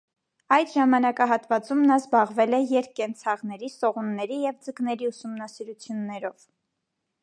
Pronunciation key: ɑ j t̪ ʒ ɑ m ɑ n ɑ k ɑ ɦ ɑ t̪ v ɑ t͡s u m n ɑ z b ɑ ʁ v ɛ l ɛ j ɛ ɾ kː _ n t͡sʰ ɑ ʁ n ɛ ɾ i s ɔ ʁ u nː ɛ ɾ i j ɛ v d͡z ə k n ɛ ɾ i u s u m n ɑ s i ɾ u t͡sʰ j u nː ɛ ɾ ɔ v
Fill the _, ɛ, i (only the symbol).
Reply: ɛ